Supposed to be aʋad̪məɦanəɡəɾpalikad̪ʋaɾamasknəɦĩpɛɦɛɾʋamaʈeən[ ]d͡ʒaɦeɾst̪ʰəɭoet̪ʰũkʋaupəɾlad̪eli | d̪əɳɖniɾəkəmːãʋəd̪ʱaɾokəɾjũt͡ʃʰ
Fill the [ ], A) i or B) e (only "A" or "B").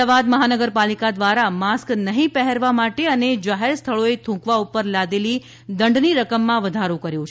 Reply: B